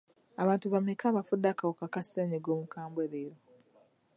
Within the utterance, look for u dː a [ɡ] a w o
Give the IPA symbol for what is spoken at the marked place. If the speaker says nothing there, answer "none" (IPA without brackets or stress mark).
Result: k